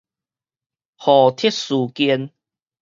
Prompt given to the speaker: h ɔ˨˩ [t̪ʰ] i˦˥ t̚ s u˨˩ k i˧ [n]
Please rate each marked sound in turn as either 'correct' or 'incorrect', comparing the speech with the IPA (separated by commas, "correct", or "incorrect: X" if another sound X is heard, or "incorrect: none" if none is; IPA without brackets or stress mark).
correct, correct